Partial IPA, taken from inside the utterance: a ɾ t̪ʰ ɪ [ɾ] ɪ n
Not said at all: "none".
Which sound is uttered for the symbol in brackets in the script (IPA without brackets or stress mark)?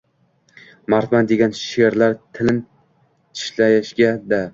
l